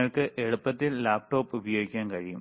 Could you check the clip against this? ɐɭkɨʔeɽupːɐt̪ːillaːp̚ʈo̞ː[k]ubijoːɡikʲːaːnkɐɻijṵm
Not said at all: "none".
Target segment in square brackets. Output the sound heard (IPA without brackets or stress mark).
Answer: p